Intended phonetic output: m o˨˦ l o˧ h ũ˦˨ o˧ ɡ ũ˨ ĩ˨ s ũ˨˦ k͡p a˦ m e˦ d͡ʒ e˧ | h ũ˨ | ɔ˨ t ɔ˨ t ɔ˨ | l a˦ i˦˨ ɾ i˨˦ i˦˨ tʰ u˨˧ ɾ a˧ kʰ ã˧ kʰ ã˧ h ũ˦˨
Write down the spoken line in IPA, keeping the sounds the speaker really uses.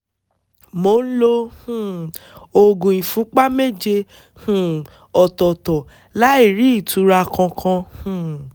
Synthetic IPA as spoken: m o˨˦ l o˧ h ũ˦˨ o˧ ɡ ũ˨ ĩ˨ f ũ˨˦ k͡p a˦ m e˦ d͡ʒ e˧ | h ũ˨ | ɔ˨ t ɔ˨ t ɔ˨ | l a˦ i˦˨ ɾ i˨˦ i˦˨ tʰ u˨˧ ɾ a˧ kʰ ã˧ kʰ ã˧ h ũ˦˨